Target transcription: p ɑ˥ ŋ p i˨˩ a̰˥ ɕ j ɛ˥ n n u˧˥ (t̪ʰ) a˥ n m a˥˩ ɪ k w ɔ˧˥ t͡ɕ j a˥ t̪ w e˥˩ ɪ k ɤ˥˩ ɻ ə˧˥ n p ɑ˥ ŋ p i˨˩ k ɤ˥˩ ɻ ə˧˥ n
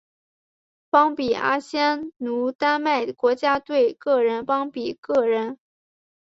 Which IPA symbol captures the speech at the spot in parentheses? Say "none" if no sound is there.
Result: t̪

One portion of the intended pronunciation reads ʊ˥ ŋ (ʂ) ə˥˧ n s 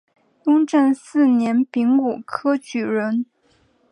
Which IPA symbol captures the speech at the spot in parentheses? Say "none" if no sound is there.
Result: ʈ͡ʂ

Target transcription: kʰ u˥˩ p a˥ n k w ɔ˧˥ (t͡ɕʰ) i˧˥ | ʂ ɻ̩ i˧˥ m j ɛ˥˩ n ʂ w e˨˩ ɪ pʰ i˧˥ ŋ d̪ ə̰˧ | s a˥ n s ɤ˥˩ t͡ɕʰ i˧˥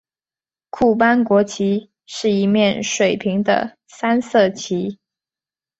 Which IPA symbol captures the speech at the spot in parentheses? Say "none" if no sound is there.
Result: t͡ɕʰ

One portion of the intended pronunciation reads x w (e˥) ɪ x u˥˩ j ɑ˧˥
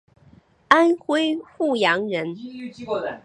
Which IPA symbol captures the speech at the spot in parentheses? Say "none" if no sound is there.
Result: e˥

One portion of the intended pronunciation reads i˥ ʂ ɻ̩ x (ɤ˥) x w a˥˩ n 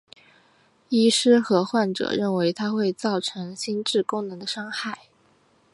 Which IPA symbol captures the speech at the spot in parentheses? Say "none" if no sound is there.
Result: ɤ˧˥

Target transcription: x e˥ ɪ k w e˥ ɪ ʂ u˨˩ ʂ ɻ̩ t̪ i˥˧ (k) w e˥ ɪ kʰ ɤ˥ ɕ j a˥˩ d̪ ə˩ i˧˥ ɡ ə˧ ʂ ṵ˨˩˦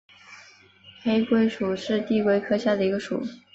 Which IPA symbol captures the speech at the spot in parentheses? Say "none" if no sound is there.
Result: k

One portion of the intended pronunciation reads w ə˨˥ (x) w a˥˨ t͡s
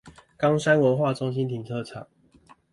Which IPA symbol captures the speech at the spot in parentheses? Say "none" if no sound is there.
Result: x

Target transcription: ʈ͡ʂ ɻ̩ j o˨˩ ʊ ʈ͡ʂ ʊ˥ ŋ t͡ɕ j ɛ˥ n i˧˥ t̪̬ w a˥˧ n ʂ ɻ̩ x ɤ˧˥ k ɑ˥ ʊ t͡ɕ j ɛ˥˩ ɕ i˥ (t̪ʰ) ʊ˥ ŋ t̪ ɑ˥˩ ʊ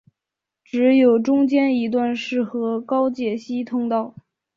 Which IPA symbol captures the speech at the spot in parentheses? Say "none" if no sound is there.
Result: t̪ʰ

